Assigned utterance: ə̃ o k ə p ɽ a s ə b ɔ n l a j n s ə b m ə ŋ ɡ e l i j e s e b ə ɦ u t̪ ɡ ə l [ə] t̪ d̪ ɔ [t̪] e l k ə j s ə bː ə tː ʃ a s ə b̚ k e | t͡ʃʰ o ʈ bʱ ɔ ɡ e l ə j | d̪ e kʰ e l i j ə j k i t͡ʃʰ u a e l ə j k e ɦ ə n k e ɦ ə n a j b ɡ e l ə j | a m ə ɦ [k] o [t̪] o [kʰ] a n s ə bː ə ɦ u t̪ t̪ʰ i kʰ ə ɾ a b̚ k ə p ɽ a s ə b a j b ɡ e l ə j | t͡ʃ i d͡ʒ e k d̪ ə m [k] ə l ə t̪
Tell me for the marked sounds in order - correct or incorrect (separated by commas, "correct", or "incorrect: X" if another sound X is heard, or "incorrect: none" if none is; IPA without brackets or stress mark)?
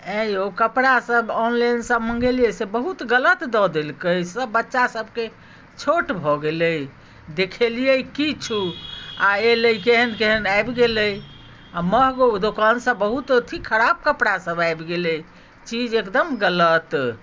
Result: correct, incorrect: d̪, incorrect: ɡ, incorrect: d̪, incorrect: k, incorrect: ɡ